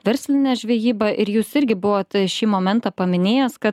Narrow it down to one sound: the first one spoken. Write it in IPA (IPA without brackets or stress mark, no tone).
ʋʲ